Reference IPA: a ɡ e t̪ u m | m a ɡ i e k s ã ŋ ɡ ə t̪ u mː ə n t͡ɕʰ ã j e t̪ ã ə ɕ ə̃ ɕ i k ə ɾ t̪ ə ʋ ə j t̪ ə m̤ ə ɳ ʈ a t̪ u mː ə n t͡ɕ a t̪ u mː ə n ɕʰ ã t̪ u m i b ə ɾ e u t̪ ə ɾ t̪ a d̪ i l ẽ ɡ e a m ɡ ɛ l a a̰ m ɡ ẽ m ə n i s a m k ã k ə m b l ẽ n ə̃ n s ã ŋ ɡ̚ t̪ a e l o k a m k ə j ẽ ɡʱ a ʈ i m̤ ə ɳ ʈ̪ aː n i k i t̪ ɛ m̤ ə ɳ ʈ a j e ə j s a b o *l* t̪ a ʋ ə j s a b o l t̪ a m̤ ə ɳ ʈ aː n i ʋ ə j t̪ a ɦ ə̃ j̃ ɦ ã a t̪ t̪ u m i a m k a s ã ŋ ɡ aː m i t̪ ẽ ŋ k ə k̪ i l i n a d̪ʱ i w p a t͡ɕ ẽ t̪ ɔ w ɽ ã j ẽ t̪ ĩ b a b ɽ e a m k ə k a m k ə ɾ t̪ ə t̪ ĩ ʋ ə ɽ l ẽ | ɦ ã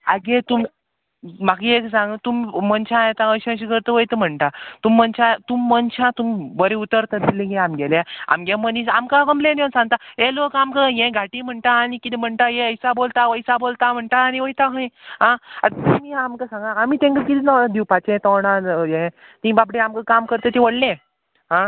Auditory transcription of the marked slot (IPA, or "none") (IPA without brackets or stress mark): l